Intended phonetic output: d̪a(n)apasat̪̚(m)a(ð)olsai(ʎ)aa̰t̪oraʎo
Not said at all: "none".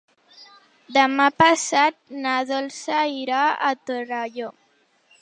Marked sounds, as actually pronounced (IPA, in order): m, n, ð, ɾ

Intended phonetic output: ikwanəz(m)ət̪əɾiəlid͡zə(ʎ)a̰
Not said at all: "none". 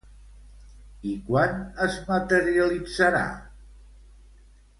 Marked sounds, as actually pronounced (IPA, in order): m, ɾ

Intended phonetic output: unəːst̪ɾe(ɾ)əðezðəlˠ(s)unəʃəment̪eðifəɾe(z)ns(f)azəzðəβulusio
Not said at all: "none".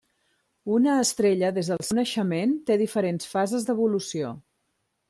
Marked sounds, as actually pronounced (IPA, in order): ʎ, s, none, f

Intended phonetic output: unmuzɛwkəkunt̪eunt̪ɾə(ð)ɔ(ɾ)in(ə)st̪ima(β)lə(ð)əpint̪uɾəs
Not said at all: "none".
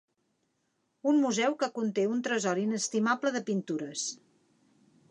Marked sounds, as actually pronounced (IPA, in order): z, ɾ, ə, b, ð

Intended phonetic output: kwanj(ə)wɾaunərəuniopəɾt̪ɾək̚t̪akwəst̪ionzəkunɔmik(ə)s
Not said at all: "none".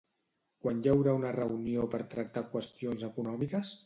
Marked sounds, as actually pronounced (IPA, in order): a, ə

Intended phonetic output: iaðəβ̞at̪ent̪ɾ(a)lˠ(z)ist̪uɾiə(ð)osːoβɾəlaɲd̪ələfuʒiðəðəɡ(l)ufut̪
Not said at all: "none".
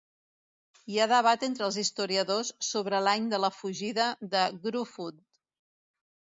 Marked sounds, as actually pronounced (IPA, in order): ə, z, ð, ɾ

